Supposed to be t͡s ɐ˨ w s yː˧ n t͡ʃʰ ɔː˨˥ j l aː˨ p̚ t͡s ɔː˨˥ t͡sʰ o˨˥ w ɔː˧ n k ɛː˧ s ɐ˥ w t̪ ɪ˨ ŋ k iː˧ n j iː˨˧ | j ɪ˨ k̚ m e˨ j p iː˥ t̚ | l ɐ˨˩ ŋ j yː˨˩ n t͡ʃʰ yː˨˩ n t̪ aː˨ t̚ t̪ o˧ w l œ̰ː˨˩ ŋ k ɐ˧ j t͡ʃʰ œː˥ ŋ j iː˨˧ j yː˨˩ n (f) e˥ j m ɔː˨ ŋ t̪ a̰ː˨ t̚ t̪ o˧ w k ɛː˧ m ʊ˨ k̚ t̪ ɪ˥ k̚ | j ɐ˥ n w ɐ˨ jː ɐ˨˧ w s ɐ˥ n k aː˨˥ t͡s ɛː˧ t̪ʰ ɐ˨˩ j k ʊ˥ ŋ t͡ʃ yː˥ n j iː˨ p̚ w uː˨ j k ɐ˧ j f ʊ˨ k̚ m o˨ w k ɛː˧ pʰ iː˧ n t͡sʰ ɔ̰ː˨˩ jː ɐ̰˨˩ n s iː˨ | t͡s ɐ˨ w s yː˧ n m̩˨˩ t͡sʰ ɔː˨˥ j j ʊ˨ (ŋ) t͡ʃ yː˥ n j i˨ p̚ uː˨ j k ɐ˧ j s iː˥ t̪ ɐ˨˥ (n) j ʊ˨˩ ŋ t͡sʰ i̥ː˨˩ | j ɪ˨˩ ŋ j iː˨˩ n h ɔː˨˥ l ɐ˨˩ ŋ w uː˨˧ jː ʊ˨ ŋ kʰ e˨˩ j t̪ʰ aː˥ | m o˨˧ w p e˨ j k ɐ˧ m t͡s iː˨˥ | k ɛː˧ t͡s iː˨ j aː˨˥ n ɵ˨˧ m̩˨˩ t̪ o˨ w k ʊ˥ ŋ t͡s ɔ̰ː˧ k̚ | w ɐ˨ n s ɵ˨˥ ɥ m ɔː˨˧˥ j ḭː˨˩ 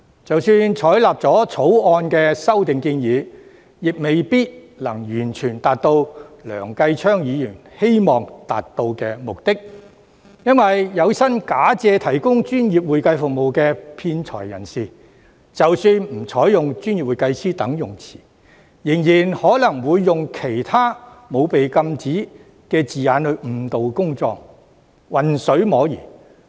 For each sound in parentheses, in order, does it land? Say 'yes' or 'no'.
no, yes, no

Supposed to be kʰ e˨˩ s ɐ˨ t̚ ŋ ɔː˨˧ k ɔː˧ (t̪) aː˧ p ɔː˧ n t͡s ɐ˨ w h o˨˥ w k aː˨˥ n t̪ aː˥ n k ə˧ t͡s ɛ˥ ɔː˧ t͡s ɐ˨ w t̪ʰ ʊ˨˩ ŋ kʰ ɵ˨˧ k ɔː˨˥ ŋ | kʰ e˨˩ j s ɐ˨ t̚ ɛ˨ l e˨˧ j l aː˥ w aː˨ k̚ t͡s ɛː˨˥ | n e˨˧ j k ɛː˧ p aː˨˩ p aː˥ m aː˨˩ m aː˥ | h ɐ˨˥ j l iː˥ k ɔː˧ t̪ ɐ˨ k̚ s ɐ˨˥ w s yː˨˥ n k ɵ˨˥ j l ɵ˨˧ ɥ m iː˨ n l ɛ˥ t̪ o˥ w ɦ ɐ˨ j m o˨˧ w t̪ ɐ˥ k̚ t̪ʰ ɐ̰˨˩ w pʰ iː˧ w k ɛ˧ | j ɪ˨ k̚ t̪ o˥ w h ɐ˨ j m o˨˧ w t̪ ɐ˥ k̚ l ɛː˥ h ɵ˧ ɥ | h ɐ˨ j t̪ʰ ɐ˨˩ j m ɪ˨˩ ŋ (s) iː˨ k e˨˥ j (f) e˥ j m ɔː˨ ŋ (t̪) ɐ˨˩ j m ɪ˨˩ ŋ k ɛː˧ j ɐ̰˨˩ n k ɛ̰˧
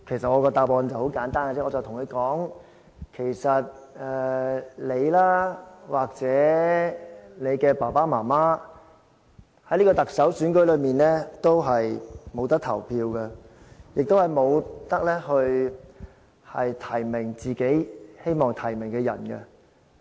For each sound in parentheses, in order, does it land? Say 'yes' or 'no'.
yes, no, no, no

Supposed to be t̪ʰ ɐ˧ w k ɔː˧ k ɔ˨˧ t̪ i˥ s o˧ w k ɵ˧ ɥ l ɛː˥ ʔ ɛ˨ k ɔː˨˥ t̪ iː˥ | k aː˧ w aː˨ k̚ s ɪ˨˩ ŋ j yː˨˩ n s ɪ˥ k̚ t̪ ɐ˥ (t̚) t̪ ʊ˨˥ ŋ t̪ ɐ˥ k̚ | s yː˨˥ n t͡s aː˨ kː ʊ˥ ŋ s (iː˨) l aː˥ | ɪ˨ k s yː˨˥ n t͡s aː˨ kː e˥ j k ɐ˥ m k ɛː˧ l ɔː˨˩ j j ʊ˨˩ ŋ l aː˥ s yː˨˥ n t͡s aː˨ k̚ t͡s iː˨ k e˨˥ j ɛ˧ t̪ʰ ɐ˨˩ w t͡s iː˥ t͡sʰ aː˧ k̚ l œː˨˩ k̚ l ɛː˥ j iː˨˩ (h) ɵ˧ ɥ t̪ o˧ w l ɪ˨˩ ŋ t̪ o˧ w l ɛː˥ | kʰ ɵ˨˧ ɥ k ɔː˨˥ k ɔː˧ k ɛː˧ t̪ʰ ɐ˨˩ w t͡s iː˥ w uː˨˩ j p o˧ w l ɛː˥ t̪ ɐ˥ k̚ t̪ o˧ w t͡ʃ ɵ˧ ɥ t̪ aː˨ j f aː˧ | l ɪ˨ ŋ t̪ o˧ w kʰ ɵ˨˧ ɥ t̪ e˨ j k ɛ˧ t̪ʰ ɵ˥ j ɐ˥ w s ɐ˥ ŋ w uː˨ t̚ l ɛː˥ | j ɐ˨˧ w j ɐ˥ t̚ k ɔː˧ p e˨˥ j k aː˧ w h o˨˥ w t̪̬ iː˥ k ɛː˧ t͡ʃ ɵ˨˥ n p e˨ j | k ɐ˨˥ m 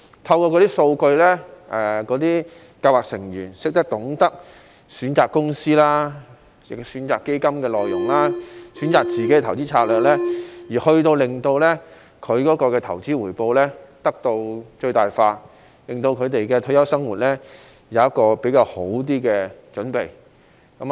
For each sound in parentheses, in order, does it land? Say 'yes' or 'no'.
no, no, yes

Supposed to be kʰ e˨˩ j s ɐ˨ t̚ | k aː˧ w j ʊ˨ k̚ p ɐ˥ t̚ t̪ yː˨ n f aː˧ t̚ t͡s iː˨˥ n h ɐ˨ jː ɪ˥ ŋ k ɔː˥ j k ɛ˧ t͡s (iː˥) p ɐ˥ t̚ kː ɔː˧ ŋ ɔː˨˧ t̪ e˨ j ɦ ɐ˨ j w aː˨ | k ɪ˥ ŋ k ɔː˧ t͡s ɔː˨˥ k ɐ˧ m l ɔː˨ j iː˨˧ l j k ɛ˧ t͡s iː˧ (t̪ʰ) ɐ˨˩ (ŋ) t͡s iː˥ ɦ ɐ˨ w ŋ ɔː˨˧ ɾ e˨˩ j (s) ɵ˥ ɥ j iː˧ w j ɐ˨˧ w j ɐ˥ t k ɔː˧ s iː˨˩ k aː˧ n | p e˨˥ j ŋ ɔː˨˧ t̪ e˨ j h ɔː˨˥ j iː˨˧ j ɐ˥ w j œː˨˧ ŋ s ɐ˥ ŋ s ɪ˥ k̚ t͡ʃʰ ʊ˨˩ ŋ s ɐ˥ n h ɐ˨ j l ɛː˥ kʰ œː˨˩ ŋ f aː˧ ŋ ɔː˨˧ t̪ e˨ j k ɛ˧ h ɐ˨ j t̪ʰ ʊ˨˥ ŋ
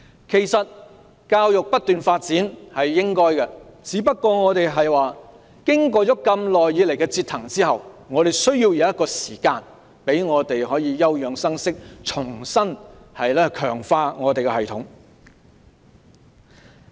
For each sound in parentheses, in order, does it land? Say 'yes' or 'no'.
no, yes, yes, yes

